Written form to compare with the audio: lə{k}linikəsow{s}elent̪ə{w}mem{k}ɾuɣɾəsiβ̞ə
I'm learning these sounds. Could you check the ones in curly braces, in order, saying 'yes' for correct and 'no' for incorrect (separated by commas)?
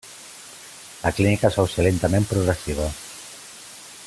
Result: yes, yes, no, no